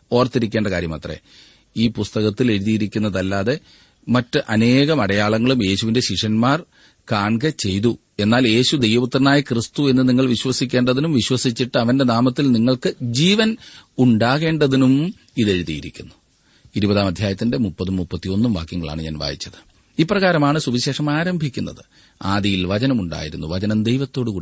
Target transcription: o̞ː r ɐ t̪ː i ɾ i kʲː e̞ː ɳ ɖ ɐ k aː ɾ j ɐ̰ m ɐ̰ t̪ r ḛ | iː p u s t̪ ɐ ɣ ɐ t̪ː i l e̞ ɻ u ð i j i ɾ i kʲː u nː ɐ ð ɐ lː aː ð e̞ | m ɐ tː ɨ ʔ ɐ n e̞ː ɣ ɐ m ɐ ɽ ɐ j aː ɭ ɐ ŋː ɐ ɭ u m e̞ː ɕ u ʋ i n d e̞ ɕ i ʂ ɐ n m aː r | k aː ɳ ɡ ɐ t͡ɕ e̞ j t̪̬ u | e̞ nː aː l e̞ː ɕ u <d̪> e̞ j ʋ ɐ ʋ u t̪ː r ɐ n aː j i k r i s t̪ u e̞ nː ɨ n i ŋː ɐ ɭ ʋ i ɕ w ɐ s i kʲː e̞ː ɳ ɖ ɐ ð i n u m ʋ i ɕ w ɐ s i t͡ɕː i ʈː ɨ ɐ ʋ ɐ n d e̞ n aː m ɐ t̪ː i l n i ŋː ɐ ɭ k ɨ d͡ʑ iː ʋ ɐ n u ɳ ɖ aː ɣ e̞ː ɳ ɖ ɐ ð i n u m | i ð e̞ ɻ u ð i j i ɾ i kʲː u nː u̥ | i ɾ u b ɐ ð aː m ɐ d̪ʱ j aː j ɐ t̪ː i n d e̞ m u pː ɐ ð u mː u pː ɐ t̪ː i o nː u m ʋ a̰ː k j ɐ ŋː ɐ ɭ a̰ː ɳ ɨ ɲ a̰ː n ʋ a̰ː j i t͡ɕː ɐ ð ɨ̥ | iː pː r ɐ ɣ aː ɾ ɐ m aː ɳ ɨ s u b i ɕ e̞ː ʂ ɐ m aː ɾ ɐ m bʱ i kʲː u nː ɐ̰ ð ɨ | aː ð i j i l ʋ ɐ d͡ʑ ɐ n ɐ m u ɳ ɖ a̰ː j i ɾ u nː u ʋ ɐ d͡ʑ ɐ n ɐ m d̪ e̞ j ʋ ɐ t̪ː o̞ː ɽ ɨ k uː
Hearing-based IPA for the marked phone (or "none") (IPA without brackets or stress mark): d̪